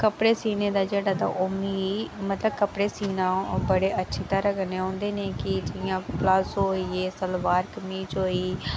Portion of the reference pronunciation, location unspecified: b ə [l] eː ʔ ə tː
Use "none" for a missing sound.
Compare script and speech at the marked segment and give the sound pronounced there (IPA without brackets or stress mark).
ɽ